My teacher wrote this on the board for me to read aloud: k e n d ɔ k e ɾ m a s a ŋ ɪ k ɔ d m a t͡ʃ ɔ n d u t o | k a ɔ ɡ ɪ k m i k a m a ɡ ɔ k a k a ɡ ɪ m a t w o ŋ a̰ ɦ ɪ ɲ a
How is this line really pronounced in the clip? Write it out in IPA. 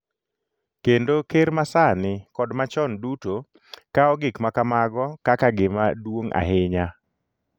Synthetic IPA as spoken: k e n d o k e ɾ m a s a n ɪ k ɔ d m a t͡ʃ ɔ n d u t o | k a ɔ ɡ ɪ k m a k a m a ɡ ɔ k a k a ɡ ɪ m a d w o ŋ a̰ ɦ ɪ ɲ a

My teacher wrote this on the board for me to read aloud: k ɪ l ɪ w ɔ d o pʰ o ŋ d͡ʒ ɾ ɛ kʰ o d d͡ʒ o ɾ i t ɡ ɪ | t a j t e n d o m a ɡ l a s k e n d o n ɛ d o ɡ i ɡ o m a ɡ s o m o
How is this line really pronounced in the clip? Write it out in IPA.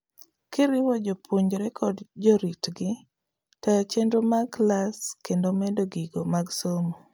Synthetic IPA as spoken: k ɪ ɾ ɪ w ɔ d͡ʒ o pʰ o ɲ d͡ʒ ɾ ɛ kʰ ɔ d d͡ʒ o ɾ i t ɡ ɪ | t a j t͡ʃ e n d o m a ɡ l a s k e n d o m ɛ d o ɡ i ɡ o m a ɡ s o m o

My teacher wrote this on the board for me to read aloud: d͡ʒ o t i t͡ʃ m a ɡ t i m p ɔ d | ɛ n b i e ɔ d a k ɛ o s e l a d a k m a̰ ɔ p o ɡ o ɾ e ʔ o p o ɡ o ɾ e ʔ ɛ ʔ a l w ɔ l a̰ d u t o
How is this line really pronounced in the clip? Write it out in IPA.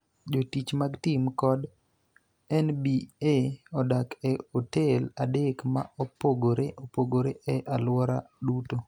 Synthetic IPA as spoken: d͡ʒ o t i t͡ʃ m a ɡ t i m k ɔ d | ɛ n b i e ɔ d a k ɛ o t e l a d e k m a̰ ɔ p o ɡ o ɾ e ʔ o p o ɡ o ɾ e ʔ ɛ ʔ a l w ɔ ɾ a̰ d u t o

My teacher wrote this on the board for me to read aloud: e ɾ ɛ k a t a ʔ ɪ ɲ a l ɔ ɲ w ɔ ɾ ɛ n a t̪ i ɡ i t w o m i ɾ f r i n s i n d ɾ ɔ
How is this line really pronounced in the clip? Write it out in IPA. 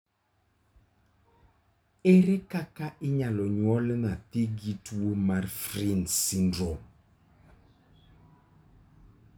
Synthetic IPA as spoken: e ɾ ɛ k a k a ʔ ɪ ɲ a l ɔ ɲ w ɔ l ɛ n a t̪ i ɡ i t w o m a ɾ f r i n s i n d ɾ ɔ

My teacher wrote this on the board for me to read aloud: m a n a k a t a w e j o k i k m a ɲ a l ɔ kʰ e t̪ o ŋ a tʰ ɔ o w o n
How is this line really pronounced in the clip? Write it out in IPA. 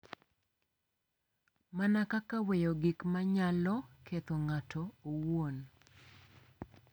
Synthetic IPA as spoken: m a n a k a k a w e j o ɡ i k m a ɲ a l ɔ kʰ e t̪ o ŋ a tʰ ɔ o w o n

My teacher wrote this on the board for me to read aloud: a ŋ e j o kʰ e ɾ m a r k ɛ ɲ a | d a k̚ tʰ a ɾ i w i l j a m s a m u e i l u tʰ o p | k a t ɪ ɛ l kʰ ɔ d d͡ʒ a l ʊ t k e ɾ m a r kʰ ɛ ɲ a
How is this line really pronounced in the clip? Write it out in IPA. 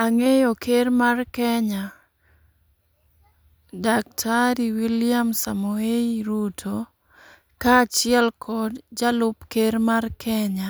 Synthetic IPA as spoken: a ŋ e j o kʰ e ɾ m a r k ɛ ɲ a | d a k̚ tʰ a ɾ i w i l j a m s a m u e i ɾ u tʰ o | k a t͡ʃ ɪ ɛ l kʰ ɔ d d͡ʒ a l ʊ p k e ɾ m a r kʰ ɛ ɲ a

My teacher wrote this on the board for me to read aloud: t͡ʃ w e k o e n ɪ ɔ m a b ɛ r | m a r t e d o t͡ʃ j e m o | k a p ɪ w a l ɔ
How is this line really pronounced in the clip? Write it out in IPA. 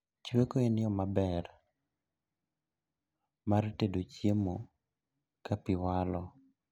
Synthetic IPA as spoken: t͡ʃ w e k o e n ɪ ɔ m a b ɛ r | m a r t e d o t͡ʃ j e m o | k a p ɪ w a l ɔ

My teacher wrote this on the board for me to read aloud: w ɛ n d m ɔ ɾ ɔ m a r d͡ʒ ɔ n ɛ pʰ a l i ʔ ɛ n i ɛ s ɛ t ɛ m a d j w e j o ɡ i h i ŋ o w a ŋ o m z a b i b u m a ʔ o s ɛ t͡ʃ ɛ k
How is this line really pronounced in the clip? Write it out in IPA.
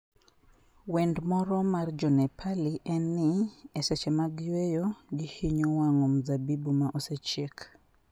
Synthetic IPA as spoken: w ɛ n d m ɔ ɾ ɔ m a r d͡ʒ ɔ n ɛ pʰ a l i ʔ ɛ n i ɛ s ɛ t͡ʃ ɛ m a ɡ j w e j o ɡ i h i ɲ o w a ŋ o m z a b i b u m a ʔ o s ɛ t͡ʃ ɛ k

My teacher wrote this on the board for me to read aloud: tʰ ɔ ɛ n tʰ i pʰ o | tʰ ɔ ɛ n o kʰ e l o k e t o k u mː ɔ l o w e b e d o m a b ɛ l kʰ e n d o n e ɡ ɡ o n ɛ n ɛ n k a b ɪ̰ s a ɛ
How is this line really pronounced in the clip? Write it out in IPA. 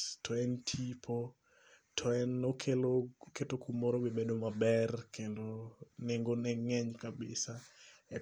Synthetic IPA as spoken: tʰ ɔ ɛ n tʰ i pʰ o | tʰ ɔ ɛ n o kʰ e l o k e t o k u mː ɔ ɾ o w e b e d o m a b ɛ r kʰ e n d o n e ŋ ɡ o n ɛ ŋ ɛ ɲ k a b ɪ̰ s a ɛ

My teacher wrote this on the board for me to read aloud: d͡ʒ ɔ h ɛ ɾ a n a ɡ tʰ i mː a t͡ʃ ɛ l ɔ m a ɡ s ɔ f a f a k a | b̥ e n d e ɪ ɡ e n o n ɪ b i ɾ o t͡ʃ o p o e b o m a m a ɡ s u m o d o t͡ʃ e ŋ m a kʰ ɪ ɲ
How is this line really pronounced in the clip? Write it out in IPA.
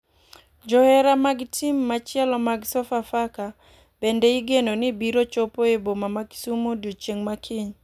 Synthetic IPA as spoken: d͡ʒ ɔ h ɛ ɾ a m a ɡ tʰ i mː a t͡ʃ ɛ l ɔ m a ɡ s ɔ f a f a k a | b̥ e n d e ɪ ɡ e n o n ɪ b i ɾ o t͡ʃ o p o e b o m a m a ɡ s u m o d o t͡ʃ e ŋ m a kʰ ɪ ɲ

